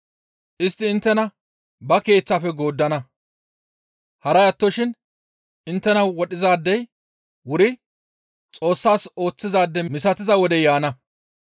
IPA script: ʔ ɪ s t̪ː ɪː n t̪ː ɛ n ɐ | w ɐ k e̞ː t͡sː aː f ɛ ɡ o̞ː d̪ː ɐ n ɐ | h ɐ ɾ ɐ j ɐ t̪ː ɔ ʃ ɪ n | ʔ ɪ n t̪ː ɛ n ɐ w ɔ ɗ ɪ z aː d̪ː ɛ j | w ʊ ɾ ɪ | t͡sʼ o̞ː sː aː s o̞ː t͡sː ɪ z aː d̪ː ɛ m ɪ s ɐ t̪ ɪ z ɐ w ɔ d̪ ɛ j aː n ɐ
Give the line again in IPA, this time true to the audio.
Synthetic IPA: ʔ ɪ s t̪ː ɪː n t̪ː ɛ n ɐ | b ɐ k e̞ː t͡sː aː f ɛ ɡ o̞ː d̪ː ɐ n ɐ | h ɐ ɾ ɐ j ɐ t̪ː ɔ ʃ ɪ n | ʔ ɪ n t̪ː ɛ n ɐ w ɔ ɗ ɪ z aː d̪ː ɛ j | w ʊ ɾ ɪ | t͡sʼ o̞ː sː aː s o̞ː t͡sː ɪ z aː d̪ː ɛ m ɪ s ɐ t̪ ɪ z ɐ w ɔ d̪ ɛ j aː n ɐ

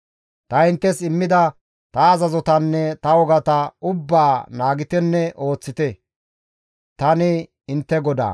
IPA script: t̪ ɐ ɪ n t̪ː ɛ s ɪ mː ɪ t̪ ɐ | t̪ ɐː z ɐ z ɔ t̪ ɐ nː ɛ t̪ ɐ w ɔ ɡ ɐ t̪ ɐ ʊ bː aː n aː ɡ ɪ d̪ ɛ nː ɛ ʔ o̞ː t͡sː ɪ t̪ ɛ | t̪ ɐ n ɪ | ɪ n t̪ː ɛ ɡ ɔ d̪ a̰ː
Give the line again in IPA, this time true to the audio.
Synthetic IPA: t̪ ɐ ɪ n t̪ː ɛ s ɪ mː ɪ d̪ ɐ | t̪ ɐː z ɐ z ɔ t̪ ɐ nː ɛ t̪ ɐ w ɔ ɡ ɐ t̪ ɐ ʊ bː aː n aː ɡ ɪ t̪ ɛ nː ɛ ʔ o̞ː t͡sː ɪ t̪ ɛ | t̪ ɐ n ɪ | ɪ n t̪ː ɛ ɡ ɔ d̪ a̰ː

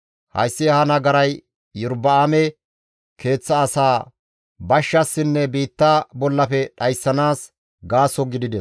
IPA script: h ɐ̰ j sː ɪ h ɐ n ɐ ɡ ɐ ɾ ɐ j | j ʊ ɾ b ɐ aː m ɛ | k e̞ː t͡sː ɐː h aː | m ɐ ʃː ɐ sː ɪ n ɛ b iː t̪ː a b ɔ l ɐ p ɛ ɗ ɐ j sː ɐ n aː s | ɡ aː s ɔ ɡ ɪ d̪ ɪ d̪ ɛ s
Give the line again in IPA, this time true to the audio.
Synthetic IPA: h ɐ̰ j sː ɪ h ɐ n ɐ ɡ ɐ ɾ ɐ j | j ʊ ɾ b ɐ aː m ɛ | k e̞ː t͡sː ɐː s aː | b ɐ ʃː ɐ sː ɪ nː ɛ b iː t̪ː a b ɔ lː ɐ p ɛ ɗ ɐ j sː ɐ n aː s | ɡ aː s ɔ ɡ ɪ d̪ ɪ d̪ ɛ s

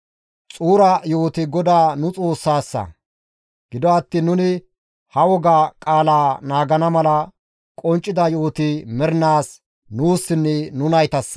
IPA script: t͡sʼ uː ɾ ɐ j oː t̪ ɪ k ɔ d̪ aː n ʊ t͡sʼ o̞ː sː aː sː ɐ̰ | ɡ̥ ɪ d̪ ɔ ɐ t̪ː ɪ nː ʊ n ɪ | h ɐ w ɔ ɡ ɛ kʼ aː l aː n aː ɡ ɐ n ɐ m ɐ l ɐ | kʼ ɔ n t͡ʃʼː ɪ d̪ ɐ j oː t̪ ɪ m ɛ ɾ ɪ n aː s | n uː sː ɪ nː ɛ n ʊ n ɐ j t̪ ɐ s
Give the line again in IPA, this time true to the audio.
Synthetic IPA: t͡sʼ uː ɾ ɐ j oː t̪ ɪ ɡ ɔ d̪ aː n ʊ t͡sʼ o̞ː sː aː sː ɐ̰ | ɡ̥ ɪ d̪ ɔ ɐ t̪ː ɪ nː ʊ n ɪ | h ɐ w ɔ ɡ a kʼ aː l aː n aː ɡ ɐ n ɐ m ɐ l ɐ | kʼ ɔ n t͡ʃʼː ɪ d̪ ɐ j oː t̪ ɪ m ɛ ɾ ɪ n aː s | n uː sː ɪ nː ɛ n ʊ n ɐ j t̪ ɐ s

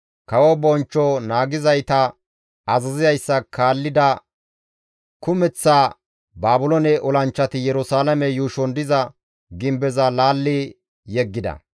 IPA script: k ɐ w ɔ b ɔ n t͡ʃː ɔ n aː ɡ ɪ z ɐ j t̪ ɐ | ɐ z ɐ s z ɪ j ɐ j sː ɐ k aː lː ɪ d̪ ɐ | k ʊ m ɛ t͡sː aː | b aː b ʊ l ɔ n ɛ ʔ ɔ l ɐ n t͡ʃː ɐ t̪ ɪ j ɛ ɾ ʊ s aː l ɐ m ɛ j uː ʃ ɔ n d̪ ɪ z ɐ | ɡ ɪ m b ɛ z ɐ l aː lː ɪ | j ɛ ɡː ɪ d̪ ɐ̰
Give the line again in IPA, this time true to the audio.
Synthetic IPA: k ɐ w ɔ b ɔ n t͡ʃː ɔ n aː ɡ ɪ z ɐ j t̪ ɐ | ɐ z ɐ z ɪ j ɐ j sː ɐ k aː lː ɪ d̪ ɐ | k ʊ m ɛ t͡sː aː | b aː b ʊ l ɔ n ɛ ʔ ɔ l ɐ n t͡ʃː ɐ t̪ ɪ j ɛ ɾ ʊ s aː l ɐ m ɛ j uː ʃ ɔ n d̪ ɪ z ɐ | ɡ ɪ m b ɛ z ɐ l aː lː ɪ | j ɛ ɡː ɪ d̪ ɐ̰

